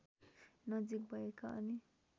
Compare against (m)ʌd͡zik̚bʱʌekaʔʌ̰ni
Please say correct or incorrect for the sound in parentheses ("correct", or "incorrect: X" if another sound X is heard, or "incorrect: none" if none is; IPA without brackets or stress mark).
incorrect: n